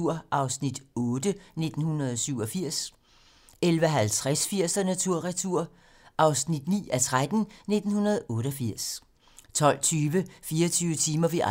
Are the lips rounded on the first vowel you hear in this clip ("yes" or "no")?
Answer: yes